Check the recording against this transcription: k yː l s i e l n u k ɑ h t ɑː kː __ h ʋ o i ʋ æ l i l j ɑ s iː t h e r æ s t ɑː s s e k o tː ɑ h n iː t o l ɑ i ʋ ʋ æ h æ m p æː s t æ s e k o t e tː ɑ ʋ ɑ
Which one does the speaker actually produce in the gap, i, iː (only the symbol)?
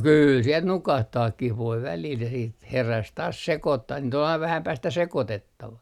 i